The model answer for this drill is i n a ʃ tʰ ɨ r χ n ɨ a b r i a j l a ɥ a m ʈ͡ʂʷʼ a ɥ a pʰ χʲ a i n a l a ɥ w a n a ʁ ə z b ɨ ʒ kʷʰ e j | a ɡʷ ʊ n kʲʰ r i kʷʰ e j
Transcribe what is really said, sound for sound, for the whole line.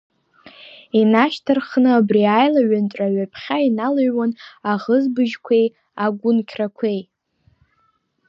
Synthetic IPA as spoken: i n a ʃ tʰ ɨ r χ n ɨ a b r i a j l a ɥ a n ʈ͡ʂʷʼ a ɥ a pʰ χʲ a i n a l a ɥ w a n a ʁ ə z b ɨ ʒ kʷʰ e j | a ɡʷ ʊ n kʲʰ r a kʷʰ e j